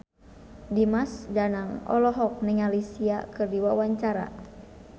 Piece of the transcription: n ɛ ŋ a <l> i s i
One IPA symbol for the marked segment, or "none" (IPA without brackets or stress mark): l